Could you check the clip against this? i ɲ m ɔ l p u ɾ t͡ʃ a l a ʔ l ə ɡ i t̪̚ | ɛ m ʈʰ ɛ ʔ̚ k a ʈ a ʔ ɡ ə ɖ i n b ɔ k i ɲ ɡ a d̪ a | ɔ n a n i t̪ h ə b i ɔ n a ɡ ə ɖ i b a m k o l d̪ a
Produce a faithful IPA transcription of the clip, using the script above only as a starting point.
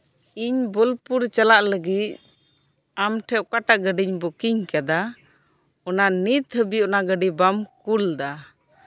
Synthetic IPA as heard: i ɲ b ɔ l p u ɾ t͡ʃ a l a ʔ l ə ɡ i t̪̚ | a m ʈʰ ɛ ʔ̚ k a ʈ a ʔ ɡ ə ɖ i ɲ b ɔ k i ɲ k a d̪ a | ɔ n a n i t̪ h ə b i ɔ n a ɡ ə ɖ i b a m k u l d̪ a